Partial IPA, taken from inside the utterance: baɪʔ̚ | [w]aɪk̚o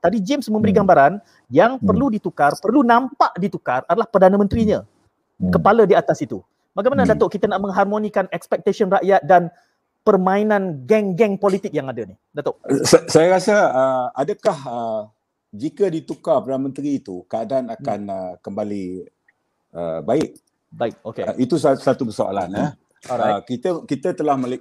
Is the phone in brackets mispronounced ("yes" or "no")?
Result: yes